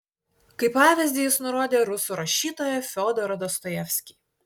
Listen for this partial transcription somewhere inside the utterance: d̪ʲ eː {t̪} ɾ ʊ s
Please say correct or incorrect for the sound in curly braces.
incorrect